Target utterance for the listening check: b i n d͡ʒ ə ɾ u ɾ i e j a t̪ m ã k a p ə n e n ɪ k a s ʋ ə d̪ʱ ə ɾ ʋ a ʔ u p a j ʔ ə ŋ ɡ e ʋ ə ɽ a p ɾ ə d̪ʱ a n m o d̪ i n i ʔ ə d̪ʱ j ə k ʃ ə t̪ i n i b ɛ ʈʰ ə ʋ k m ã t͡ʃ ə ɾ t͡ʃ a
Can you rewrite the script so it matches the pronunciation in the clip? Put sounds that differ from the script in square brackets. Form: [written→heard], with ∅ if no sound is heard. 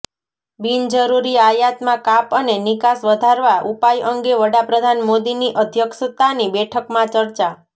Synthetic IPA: b i n d͡ʒ ə ɾ u ɾ i [e→a] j a t̪ m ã k a p ə n e n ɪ k a s ʋ ə d̪ʱ [ə→a] ɾ ʋ a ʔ u p a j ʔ ə ŋ ɡ e ʋ ə ɽ a p ɾ ə d̪ʱ a n m o d̪ i n i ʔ ə d̪ʱ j ə k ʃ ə t̪ [i→a] n i b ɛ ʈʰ ə [ʋ→∅] k m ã t͡ʃ ə ɾ t͡ʃ a